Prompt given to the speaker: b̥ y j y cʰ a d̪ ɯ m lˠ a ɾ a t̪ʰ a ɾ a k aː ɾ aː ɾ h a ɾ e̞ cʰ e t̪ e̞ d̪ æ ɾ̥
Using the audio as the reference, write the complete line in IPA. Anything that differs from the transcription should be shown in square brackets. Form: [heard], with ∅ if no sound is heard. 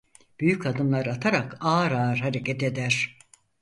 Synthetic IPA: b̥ y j y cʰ a d̪ ɯ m lˠ a ɾ a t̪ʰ a ɾ a k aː ɾ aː ɾ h a ɾ e̞ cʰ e t̪ e̞ d̪ æ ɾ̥

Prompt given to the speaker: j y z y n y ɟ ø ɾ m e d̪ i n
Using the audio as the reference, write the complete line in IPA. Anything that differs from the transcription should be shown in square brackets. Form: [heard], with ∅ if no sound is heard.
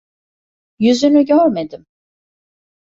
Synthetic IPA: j y z y n y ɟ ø ɾ m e d̪ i [m]

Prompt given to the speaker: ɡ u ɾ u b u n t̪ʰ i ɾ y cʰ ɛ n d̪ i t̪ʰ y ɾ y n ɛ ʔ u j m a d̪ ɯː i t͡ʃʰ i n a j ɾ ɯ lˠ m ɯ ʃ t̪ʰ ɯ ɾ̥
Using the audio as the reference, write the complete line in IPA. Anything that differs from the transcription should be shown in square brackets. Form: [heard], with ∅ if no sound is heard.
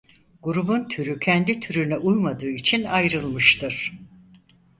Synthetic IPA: ɡ u ɾ u b u n t̪ʰ [y] ɾ y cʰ ɛ n d̪ i t̪ʰ y ɾ y n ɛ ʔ u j m a d̪ ɯː i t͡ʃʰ i n a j ɾ ɯ lˠ m ɯ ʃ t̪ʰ ɯ ɾ̥

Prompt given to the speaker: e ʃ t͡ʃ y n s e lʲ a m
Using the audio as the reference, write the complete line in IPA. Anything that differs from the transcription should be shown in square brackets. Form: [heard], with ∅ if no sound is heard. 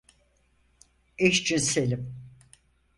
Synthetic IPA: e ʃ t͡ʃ y n s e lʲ [i] m

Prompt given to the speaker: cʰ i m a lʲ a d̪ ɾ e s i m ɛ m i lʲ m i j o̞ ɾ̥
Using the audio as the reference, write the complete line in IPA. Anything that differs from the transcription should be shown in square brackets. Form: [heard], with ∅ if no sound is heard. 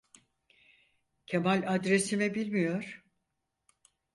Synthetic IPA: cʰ [e] m a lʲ a d̪ ɾ e s i m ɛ [b] i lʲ m i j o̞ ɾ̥

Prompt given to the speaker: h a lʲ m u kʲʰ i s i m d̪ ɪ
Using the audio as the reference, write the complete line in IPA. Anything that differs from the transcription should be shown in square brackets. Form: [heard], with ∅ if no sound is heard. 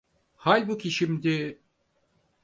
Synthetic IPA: h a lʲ [b] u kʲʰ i [ʃ] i m d̪ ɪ

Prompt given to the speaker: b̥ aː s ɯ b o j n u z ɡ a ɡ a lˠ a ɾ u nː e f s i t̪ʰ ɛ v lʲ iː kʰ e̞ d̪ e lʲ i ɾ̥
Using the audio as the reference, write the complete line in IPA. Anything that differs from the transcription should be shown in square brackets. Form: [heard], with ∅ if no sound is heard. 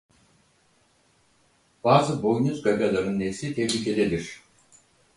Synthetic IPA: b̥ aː [z] ɯ b o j n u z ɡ a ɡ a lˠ a ɾ [ɯ] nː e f s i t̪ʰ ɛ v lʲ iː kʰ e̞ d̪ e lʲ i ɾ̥

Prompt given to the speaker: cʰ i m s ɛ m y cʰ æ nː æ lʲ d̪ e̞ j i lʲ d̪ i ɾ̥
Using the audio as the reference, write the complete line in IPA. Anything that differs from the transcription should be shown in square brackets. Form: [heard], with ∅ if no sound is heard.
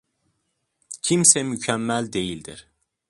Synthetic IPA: cʰ i m s ɛ m y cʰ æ [mː] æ lʲ d̪ e̞ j i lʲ d̪ i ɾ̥

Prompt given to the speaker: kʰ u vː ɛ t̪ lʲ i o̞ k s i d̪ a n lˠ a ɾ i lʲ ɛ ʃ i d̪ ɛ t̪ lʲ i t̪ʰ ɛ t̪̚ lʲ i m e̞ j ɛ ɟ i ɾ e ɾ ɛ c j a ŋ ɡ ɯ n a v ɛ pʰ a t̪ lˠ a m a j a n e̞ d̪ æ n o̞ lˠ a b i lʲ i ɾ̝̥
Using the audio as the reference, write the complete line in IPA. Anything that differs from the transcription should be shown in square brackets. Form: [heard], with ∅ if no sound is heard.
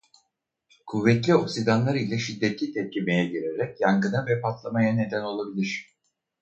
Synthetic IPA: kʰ u vː ɛ t̪ lʲ i o̞ k s i d̪ a n lˠ a ɾ i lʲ ɛ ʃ i [d̪ː] ɛ t̪ lʲ i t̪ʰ ɛ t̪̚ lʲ i m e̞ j ɛ ɟ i ɾ e ɾ ɛ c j a ŋ ɡ ɯ n a v ɛ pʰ a t̪ lˠ a m a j a n e̞ d̪ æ n o̞ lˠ a b i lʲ i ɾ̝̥

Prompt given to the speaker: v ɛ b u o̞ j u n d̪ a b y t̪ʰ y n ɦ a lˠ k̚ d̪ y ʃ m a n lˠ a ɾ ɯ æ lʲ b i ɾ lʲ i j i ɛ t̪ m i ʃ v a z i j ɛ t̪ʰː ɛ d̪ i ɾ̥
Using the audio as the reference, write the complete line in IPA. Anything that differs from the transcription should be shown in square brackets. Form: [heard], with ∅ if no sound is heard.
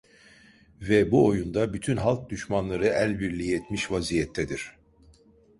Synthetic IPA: v ɛ b u o̞ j u n d̪ a b y t̪ʰ y n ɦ a lˠ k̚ d̪ y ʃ m a n lˠ a ɾ ɯ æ lʲ b i ɾ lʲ i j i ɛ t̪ m i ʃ v a z i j ɛ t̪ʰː ɛ d̪ i ɾ̥

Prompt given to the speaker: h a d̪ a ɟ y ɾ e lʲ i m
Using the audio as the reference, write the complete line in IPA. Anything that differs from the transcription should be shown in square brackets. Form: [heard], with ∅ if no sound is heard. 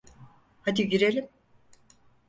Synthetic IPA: h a d̪ [i] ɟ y ɾ e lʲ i m

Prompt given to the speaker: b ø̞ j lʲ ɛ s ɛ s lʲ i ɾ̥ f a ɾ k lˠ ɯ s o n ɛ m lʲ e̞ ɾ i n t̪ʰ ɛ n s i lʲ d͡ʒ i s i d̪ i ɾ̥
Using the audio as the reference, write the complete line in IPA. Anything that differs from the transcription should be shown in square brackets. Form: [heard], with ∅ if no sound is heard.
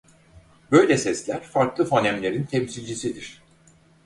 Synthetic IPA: b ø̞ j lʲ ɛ s ɛ s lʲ [æ] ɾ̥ f a ɾ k lˠ ɯ [f] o n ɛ m lʲ e̞ ɾ i n t̪ʰ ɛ [m] s i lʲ d͡ʒ i s i d̪ i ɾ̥

